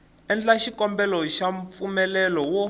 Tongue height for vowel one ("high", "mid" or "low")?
mid